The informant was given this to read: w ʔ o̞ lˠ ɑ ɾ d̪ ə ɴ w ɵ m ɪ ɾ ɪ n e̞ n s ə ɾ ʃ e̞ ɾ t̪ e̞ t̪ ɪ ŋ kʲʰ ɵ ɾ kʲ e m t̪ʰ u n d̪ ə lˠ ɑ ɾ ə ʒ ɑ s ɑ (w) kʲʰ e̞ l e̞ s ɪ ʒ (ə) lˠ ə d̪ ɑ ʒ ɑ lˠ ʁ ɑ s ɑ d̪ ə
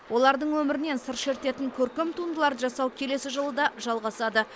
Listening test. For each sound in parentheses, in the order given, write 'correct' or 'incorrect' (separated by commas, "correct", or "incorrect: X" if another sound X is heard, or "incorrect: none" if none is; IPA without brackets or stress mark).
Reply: correct, correct